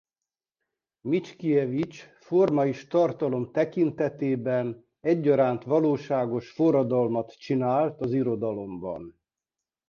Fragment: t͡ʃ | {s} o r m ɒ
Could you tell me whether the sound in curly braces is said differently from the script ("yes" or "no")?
yes